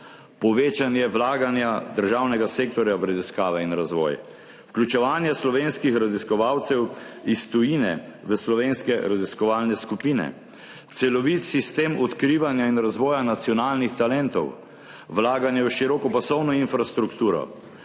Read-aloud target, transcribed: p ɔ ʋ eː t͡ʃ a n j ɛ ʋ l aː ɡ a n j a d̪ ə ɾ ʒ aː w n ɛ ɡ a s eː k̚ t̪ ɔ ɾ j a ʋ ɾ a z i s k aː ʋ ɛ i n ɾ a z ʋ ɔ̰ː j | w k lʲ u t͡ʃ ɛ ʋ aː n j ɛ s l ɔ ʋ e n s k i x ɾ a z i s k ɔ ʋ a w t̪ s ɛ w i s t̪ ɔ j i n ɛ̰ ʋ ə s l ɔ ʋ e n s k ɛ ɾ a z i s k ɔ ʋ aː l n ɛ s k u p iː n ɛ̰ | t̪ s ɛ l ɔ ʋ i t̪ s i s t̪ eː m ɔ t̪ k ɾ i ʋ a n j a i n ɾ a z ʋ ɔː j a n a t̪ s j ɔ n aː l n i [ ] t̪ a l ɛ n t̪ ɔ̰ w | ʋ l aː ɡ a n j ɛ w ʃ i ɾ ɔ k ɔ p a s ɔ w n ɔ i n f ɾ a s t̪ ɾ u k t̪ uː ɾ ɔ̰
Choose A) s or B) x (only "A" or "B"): B